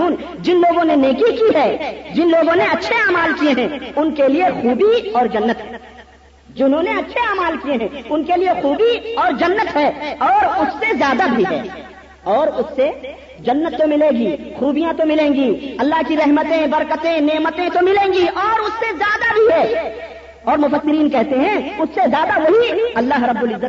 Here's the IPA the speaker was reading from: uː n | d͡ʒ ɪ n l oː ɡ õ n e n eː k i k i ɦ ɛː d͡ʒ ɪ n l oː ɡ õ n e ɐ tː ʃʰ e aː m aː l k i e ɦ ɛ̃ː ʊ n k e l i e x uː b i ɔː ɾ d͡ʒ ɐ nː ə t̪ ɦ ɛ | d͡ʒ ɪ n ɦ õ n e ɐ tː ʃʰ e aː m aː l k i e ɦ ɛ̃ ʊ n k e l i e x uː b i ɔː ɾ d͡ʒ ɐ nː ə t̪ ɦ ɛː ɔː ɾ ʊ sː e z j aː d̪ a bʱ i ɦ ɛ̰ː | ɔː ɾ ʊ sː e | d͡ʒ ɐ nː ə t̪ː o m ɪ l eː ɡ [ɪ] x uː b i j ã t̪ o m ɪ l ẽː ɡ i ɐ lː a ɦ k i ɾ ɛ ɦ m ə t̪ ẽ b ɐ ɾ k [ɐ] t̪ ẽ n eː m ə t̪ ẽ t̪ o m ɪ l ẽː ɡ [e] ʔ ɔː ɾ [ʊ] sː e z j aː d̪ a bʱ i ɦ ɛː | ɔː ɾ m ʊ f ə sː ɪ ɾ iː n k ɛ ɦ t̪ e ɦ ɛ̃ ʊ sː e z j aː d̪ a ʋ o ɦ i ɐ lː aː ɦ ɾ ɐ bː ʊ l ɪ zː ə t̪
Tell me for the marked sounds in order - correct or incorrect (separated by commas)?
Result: incorrect, incorrect, incorrect, correct